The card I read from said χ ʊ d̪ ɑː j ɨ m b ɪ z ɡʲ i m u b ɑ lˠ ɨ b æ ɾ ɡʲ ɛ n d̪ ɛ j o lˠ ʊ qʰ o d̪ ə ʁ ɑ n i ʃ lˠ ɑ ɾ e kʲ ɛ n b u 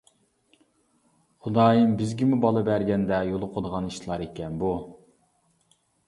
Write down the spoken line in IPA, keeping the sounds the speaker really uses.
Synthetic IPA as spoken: χ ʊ d̪ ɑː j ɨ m b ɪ z ɡʲ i m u b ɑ lˠ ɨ b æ ɾ ɡʲ ɛ n d̪ ɛ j o lˠ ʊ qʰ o d̪ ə ʁ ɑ n i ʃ lˠ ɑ ɾ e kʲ ɛ n b u

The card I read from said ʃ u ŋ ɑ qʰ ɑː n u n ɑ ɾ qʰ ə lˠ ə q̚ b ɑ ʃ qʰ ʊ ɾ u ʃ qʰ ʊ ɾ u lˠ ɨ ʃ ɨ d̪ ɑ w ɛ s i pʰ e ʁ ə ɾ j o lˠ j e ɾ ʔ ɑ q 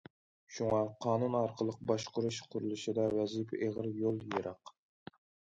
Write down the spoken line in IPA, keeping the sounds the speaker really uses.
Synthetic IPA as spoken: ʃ u ŋ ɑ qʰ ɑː n u n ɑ ɾ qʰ ə lˠ ə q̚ b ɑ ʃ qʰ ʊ ɾ u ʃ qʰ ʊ ɾ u lˠ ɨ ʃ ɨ d̪ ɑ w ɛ z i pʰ e ʁ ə ɾ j o lˠ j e ɾ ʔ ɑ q

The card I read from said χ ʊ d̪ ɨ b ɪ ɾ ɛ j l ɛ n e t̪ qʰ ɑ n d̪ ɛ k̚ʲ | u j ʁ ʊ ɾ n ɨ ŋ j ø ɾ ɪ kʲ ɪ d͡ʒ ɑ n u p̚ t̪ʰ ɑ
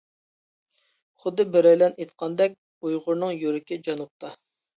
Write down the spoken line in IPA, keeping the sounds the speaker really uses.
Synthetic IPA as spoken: χ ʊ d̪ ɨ b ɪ ɾ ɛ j l ɛ n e t̪ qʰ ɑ n d̪ ɛ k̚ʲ | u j ʁ ʊ ɾ n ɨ ŋ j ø ɾ ɪ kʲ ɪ d͡ʒ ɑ n u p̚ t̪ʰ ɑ

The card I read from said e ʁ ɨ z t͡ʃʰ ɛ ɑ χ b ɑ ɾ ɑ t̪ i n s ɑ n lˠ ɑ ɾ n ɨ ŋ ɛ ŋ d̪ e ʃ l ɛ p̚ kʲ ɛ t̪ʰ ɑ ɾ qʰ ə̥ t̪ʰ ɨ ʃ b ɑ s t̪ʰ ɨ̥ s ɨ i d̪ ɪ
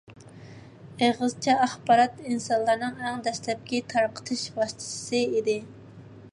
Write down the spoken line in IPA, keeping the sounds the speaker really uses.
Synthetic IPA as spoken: e ʁ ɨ z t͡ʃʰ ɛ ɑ χ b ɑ ɾ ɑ t̪ i n s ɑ n lˠ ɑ ɾ n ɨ ŋ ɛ ŋ d̪ ɛ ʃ l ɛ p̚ kʲ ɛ t̪ʰ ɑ ɾ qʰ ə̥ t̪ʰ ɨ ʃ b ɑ s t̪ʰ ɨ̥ s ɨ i d̪ ɪ

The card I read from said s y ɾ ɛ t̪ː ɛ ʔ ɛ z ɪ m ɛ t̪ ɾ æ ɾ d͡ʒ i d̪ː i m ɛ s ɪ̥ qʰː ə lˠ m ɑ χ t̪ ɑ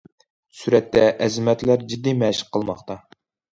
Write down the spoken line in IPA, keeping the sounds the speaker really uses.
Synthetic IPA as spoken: s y ɾ ɛ t̪ː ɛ ʔ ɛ z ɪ m ɛ t̪ l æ ɾ d͡ʒ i d̪ː i m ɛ ʃ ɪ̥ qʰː ə lˠ m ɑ χ t̪ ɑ

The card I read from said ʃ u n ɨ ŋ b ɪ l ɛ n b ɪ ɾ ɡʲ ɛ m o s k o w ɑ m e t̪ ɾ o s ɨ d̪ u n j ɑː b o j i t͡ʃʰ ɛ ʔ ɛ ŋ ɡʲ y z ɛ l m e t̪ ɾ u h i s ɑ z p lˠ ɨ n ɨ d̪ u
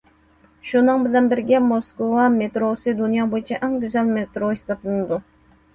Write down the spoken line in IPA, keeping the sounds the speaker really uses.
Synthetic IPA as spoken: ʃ u n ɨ ŋ b ɪ l ɛ n b ɪ ɾ ɡʲ ɛ m o s k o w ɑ m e t̪ ɾ o s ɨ d̪ u n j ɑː b o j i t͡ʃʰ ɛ ʔ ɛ ŋ ɡʲ y z ɛ l m e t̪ ɾ o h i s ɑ p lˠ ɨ n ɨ d̪ u

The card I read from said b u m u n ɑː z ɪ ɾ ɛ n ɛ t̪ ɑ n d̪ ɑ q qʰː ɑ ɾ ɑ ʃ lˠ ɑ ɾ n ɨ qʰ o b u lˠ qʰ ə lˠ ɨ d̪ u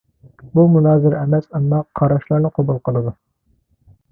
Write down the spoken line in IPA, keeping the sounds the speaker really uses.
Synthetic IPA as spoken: b u m u n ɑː z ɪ ɾ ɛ m ɛ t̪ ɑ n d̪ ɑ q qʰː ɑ ɾ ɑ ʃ lˠ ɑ ɾ n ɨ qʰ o b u lˠ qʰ ə lˠ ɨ d̪ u

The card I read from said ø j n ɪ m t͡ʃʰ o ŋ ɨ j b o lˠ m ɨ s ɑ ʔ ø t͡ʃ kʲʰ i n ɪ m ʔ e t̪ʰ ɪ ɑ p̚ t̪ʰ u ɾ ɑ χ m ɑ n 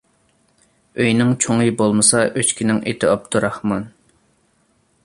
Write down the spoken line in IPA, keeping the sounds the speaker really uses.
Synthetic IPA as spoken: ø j n ɪ ŋ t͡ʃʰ o ŋ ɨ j b o lˠ m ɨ s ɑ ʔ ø t͡ʃ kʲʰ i n ɪ ŋ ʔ e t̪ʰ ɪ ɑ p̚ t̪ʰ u ɾ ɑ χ m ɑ n

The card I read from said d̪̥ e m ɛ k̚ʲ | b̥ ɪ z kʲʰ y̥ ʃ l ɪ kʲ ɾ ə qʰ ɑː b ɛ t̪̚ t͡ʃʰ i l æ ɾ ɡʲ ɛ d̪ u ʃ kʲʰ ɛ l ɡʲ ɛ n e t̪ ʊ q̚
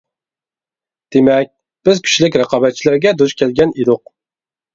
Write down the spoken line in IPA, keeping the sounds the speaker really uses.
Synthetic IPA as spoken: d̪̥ e m ɛ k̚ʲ | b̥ ɪ z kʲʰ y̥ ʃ l ɪ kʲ ɾ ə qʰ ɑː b ɛ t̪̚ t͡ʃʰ i l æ ɾ ɡʲ ɛ d̪ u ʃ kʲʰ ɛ l ɡʲ ɛ n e d̪ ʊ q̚

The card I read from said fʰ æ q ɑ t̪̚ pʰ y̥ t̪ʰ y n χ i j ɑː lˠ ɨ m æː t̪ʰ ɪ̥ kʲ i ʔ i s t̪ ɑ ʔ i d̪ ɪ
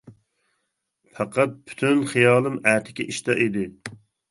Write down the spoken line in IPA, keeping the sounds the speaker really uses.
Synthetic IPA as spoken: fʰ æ q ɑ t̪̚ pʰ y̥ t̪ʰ y n χ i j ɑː lˠ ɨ m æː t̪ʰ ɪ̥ kʲ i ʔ i ʃ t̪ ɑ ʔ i d̪ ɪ

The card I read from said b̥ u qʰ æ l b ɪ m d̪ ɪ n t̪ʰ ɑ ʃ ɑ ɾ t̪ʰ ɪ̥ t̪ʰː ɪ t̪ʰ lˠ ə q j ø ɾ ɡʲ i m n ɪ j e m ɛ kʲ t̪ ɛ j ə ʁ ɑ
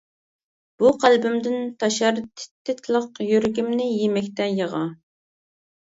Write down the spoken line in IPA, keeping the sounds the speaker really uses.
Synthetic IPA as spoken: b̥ u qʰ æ l b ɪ m d̪ ɪ n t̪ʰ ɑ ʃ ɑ ɾ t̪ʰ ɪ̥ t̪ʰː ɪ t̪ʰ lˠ ə q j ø ɾ ɡʲ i m n ɪ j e m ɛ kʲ t̪ ɛ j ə ʁ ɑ

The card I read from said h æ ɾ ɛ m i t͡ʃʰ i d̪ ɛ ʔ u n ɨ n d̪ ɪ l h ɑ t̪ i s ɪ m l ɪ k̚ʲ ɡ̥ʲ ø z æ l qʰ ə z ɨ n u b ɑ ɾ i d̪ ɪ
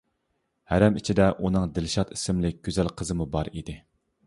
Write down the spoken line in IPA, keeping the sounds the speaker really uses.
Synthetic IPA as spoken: h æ ɾ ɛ m i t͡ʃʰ i d̪ ɛ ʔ u n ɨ ŋ d̪ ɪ l ʃ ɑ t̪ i s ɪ m l ɪ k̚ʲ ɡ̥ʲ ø z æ l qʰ ə z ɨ m u b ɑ ɾ i d̪ ɪ

